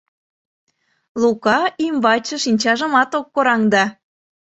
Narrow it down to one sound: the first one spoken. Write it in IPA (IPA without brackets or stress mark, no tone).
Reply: l